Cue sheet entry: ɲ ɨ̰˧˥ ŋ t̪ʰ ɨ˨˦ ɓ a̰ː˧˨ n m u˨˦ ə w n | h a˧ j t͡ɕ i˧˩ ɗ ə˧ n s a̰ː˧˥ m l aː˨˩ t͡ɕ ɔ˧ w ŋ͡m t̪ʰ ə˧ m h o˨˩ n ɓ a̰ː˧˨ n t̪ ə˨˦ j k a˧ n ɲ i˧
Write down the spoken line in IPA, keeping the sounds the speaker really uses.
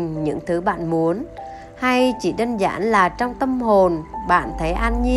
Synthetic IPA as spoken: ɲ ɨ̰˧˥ ŋ t̪ʰ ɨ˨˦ ɓ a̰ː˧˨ n m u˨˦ ə n | h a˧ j t͡ɕ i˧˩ ɗ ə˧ n z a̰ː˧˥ n l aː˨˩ t͡ɕ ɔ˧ w ŋ͡m t̪ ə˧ m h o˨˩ n ɓ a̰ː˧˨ n t̪ʰ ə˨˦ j ʔ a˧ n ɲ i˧